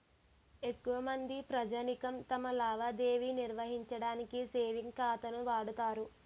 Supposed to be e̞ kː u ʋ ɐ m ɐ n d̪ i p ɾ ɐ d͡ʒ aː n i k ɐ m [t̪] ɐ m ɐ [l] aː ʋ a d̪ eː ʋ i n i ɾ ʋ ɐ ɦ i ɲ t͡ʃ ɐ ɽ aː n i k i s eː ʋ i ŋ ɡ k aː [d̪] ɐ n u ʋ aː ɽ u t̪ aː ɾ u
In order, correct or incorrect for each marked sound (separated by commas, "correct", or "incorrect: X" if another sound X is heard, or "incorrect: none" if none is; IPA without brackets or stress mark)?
correct, correct, incorrect: t̪